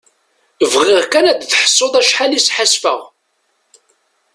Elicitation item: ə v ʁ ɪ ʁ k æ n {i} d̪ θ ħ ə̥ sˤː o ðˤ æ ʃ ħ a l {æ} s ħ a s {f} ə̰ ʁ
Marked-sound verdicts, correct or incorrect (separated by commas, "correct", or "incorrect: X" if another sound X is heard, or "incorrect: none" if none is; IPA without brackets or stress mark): incorrect: æ, incorrect: i, correct